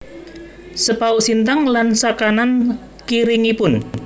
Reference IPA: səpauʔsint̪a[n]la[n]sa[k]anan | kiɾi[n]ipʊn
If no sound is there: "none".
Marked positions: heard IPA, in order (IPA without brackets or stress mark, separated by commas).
ŋ, n, k, ŋ